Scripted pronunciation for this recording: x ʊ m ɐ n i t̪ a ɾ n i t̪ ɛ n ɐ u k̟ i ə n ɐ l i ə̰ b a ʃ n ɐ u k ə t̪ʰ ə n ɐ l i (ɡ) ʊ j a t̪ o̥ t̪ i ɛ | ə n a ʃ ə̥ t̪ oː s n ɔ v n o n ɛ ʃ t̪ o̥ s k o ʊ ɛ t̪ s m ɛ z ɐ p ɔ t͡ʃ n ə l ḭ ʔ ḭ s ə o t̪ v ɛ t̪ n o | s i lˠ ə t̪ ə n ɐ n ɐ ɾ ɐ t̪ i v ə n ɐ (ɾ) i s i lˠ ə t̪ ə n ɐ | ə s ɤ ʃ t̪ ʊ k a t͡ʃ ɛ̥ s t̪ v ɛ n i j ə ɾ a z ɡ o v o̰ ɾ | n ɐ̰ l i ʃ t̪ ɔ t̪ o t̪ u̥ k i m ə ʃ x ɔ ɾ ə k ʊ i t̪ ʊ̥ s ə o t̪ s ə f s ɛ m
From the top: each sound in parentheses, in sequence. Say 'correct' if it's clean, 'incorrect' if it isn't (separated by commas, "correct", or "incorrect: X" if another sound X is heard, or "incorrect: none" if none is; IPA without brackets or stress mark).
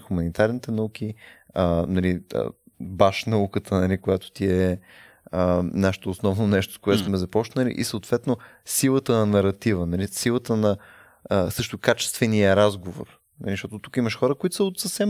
incorrect: k, incorrect: l